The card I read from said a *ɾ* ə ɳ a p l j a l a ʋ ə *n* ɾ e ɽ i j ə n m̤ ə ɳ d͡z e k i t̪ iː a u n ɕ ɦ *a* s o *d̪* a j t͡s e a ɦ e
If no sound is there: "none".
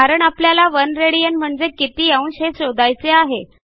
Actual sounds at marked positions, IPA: ɾ, n, e, d̪

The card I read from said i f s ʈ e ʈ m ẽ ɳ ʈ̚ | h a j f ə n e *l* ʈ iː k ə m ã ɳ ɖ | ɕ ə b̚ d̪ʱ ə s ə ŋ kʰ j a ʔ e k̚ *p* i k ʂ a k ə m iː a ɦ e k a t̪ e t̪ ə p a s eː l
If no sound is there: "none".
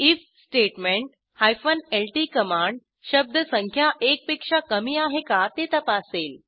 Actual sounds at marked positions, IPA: l, p

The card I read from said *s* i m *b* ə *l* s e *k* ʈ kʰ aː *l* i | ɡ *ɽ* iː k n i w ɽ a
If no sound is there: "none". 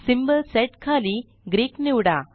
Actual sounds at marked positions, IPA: s, b, l, none, l, ɾ

